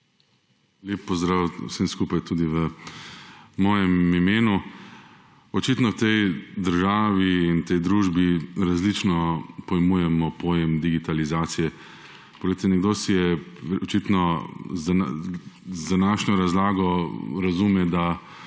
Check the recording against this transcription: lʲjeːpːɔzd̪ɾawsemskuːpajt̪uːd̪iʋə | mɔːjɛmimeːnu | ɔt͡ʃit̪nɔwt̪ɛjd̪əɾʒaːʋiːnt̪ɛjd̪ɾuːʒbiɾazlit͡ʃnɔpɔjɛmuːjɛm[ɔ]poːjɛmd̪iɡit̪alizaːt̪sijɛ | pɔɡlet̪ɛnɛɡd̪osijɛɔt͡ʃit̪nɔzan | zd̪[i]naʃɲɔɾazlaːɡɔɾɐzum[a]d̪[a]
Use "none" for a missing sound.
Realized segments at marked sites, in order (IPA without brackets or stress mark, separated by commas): ɔ, a, ɛ, a